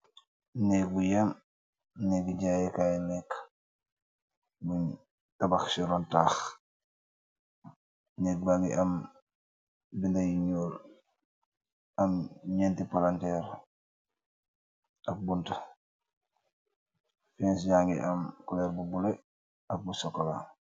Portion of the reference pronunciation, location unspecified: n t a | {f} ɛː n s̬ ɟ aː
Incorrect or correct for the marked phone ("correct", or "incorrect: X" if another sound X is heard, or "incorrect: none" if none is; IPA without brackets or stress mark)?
correct